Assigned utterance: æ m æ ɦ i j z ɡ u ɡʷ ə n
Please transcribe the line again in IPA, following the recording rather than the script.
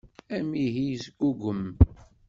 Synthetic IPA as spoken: æ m i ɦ i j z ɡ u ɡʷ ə m